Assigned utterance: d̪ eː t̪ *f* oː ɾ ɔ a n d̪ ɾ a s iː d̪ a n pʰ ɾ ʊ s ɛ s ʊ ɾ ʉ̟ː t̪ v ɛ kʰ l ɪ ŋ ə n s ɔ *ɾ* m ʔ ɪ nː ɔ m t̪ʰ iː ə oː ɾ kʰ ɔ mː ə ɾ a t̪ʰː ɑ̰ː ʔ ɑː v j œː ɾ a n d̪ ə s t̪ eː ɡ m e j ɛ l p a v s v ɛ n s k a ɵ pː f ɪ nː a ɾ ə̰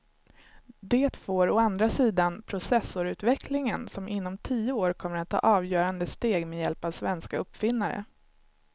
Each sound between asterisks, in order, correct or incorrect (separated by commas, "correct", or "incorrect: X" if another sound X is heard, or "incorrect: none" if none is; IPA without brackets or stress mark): correct, incorrect: none